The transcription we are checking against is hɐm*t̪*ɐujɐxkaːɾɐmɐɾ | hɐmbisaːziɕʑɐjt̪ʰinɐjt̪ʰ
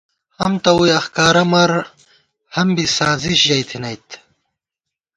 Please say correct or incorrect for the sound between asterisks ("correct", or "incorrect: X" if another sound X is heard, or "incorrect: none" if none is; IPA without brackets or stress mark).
correct